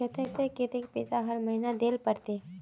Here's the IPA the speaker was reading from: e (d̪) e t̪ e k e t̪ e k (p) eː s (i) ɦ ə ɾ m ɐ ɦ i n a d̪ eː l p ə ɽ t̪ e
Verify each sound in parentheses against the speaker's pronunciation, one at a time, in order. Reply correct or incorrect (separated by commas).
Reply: incorrect, correct, incorrect